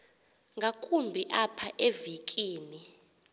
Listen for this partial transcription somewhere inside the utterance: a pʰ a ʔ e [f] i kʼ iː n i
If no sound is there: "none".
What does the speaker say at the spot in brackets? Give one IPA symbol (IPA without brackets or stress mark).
v